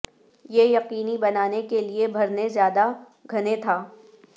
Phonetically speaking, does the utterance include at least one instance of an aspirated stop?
yes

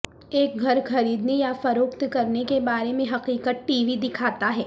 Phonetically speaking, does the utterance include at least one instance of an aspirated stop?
yes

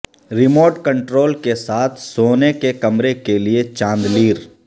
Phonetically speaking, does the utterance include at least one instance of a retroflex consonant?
yes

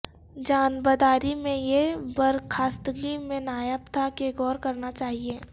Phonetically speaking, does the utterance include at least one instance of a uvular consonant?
no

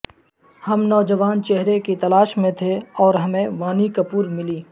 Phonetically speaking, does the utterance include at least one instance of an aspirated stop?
yes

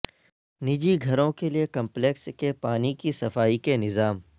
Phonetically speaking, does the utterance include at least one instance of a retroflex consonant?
no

